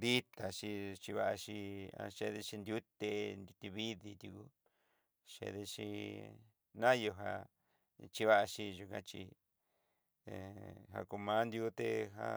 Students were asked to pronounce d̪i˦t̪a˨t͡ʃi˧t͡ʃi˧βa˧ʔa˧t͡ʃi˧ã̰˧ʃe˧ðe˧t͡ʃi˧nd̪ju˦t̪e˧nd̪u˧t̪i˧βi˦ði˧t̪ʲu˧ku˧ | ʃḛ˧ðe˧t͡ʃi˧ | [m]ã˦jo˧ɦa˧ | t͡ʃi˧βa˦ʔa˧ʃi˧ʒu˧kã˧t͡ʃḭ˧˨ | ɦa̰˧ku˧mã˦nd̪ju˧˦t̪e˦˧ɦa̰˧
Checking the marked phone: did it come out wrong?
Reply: yes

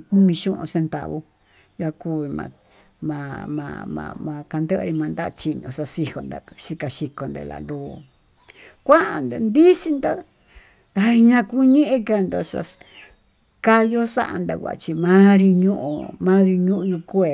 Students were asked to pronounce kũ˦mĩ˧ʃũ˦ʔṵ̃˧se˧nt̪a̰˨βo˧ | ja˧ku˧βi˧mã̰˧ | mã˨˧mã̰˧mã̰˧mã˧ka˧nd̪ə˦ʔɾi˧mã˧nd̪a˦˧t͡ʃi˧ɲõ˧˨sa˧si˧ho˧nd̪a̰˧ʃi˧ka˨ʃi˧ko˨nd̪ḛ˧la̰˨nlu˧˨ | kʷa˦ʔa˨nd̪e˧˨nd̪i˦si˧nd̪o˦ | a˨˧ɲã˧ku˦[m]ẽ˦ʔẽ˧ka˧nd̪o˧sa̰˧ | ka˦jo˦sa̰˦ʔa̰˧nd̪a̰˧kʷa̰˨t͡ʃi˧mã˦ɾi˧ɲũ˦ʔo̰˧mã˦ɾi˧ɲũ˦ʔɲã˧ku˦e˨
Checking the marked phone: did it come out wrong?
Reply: yes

